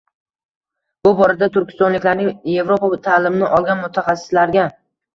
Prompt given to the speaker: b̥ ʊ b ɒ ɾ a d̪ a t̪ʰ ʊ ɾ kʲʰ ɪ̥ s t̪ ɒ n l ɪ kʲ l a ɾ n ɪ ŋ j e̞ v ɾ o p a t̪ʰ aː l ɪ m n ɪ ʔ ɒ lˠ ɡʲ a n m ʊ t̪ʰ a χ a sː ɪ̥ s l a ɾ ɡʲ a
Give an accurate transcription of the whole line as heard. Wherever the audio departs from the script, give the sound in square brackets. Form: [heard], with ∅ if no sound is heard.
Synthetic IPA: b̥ ʊ b ɒ ɾ a d̪ a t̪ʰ ʊ ɾ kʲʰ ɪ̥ s t̪ ɒ n l ɪ kʲ l a ɾ n ɪ ŋ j e̞ v ɾ o p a t̪ʰ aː l ɪ m n ɪ ʔ ɒ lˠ ɡʲ a n m ʊ t̪ʰ a χ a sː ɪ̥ s l a ɾ ɡʲ a